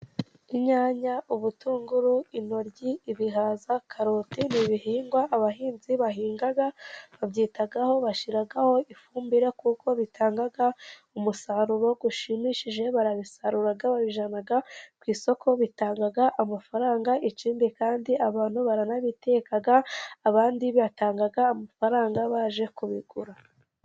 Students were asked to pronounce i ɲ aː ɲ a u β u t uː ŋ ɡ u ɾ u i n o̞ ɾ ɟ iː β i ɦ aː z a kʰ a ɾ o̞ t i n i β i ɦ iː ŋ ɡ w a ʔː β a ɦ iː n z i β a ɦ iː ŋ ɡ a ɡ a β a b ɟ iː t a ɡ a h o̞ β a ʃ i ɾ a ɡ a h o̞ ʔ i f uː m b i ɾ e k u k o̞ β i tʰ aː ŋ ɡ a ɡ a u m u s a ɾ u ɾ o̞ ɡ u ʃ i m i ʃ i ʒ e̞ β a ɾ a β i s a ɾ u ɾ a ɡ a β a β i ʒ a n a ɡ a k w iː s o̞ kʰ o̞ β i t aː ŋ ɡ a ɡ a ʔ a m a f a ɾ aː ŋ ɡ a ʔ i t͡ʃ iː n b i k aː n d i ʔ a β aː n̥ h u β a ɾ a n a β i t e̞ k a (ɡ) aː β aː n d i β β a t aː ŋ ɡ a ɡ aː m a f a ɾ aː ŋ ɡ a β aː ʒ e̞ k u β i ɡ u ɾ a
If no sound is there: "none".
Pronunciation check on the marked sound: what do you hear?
ɡ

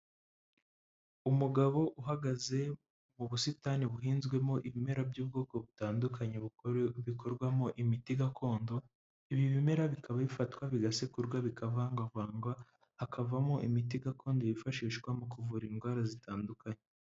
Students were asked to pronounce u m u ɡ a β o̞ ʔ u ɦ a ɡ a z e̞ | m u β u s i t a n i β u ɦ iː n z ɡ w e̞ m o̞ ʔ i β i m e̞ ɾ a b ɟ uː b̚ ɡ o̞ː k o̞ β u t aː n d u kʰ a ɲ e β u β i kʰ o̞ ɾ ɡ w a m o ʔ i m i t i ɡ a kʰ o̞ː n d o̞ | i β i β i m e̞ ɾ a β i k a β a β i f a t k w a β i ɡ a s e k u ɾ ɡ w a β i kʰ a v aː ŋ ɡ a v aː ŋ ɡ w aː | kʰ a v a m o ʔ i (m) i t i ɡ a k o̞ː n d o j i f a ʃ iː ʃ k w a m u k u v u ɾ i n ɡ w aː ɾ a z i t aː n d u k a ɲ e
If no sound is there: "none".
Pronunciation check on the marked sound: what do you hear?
m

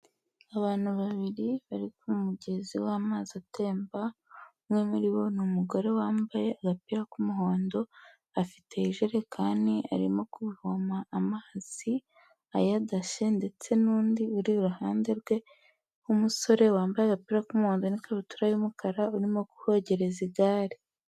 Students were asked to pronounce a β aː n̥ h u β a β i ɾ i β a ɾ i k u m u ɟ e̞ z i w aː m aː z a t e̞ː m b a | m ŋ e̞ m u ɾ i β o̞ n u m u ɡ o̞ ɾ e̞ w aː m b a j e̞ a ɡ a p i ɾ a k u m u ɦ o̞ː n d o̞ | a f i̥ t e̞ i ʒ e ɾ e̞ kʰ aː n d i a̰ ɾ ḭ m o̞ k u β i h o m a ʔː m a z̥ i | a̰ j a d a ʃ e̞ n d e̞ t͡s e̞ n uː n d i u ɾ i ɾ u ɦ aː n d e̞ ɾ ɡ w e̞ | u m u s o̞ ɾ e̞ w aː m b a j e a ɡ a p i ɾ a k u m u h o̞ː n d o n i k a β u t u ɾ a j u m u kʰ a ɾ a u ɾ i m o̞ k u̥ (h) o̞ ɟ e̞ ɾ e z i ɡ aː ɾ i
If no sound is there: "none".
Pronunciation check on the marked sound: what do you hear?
h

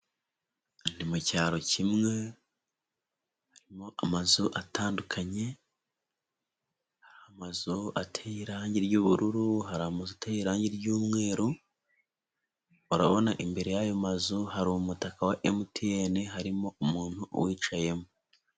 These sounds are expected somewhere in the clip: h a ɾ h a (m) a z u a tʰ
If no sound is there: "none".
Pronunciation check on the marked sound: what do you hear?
m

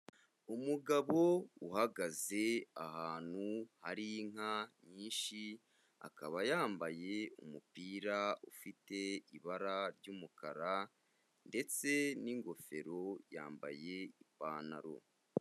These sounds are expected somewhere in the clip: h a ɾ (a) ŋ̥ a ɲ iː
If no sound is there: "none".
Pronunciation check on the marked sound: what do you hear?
i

